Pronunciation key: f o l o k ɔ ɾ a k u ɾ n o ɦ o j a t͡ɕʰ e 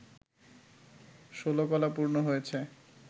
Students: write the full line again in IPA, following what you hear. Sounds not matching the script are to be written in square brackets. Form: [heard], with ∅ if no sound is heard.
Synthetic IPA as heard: [ʃ] o l o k ɔ [l] a [p] u ɾ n o ɦ o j [e] t͡ɕʰ e